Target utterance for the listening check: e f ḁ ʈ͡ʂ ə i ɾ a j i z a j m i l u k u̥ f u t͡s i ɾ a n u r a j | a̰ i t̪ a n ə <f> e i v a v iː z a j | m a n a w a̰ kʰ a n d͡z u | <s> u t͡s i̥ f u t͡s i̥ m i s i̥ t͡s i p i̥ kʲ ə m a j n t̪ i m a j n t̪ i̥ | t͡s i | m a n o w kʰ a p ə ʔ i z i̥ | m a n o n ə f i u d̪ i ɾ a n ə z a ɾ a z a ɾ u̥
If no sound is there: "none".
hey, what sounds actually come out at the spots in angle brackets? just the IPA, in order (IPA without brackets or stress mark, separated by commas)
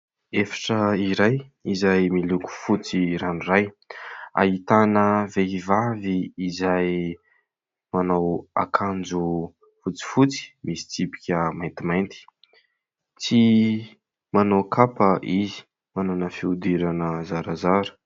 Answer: v, f